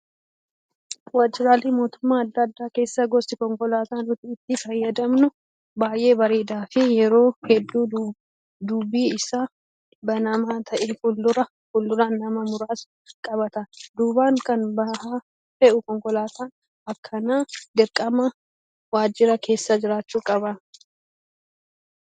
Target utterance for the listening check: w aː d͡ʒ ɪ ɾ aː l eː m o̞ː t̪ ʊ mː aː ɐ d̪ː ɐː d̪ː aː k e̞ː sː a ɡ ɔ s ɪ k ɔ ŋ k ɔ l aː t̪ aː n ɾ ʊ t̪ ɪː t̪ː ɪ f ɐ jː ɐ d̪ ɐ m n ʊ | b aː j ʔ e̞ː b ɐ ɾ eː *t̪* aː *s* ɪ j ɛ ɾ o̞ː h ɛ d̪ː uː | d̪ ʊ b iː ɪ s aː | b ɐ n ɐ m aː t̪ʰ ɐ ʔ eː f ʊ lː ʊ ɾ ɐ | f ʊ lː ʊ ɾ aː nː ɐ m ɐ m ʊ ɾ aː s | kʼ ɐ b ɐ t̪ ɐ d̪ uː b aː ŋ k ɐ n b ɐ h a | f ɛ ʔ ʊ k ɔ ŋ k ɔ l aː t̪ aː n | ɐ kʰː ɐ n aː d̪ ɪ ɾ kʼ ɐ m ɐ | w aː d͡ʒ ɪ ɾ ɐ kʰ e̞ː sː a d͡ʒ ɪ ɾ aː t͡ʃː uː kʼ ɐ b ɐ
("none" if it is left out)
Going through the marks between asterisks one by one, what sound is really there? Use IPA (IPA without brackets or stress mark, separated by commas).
d̪, f